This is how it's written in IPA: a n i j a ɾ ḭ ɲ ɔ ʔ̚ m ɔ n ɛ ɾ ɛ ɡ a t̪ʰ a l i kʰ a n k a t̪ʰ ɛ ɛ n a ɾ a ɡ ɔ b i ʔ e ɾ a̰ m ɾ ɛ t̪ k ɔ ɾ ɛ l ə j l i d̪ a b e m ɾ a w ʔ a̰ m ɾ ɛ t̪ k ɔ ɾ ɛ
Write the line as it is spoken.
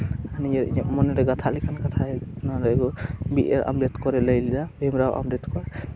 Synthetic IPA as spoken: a n i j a ɾ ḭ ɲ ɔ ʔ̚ m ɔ n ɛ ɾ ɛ ɡ a t̪ʰ a l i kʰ a n k a t̪ʰ a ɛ n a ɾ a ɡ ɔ b i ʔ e ɾ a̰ m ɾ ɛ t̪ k ɔ ɾ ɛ l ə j l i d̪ a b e m ɾ a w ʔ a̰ m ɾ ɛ t̪ k ɔ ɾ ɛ